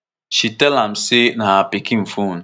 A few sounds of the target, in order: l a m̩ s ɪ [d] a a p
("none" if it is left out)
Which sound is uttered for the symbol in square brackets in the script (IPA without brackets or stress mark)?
n